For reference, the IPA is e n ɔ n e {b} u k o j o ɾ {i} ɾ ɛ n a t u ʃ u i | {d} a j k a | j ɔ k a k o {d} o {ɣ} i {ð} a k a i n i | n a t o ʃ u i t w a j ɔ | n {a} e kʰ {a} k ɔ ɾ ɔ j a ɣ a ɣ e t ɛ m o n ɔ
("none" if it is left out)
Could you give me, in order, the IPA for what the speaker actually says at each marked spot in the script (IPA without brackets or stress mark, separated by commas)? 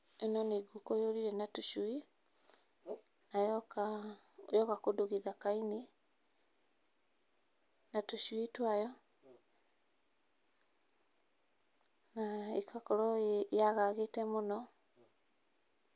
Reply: ɡ, i, n, d, ɣ, ð, a, a